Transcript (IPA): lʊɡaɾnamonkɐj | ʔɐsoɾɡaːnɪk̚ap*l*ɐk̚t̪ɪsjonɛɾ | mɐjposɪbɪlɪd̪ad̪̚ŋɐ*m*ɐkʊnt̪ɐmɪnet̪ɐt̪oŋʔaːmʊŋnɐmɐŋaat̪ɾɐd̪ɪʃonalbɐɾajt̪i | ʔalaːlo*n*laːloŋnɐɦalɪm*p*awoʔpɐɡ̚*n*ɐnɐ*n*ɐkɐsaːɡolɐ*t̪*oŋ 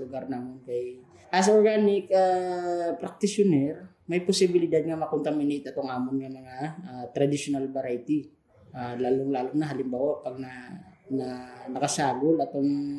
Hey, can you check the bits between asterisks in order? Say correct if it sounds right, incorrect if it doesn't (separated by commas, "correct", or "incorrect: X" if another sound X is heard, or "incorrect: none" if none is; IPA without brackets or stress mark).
incorrect: ɾ, correct, incorrect: ŋ, incorrect: b, correct, correct, correct